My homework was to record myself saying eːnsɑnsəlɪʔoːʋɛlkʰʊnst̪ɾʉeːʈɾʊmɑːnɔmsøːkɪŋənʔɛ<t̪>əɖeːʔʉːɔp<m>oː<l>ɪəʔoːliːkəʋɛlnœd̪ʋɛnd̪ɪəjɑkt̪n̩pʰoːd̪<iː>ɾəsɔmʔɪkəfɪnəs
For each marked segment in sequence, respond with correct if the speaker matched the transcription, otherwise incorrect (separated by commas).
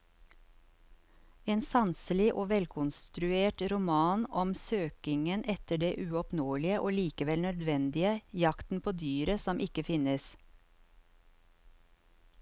correct, incorrect, correct, incorrect